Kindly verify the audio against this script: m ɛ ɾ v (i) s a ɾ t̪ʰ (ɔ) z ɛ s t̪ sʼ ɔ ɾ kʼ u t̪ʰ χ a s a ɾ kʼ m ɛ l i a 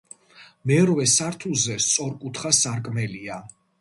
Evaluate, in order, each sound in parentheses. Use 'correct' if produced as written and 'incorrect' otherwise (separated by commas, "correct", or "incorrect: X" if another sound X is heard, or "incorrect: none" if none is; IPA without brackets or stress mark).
incorrect: ɛ, incorrect: u